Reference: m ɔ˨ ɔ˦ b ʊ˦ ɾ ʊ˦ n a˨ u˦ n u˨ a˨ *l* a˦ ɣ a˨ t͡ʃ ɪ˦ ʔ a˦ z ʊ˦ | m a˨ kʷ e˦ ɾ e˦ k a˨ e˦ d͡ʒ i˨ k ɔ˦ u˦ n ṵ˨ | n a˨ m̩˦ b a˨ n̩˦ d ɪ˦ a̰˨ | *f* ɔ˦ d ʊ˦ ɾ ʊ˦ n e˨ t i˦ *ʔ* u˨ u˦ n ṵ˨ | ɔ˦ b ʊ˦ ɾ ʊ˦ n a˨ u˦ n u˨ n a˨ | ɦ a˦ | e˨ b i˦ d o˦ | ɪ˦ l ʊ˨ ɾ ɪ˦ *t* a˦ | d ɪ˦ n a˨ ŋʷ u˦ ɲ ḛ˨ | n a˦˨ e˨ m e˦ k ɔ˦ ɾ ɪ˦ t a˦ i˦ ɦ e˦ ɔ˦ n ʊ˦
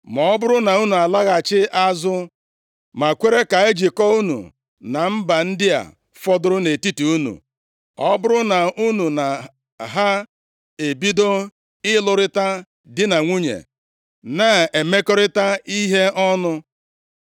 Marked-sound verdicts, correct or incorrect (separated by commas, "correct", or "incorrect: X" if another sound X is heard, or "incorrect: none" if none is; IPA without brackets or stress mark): correct, correct, incorrect: t, correct